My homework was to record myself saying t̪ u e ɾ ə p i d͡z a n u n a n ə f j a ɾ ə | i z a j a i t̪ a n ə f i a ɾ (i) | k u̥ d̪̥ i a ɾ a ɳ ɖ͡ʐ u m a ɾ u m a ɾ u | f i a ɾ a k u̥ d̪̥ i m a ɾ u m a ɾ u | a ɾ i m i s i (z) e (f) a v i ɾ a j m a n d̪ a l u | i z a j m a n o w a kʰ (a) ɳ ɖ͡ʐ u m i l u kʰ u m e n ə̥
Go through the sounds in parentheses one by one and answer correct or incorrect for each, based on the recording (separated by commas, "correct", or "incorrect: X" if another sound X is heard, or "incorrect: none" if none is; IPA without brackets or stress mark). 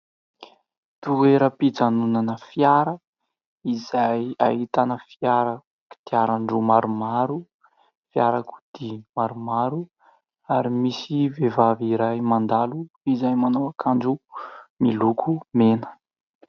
incorrect: a, incorrect: v, incorrect: v, correct